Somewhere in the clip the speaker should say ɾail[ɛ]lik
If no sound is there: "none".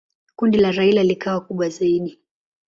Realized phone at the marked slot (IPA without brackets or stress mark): a